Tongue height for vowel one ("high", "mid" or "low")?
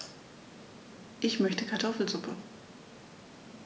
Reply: high